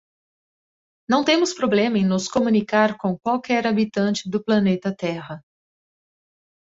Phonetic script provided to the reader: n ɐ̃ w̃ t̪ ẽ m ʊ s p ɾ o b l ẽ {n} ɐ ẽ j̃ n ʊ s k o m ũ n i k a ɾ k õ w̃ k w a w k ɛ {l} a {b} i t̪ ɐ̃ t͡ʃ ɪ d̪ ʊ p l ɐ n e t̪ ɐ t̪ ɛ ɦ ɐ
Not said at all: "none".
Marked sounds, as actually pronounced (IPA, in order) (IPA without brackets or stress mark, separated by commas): m, ɾ, b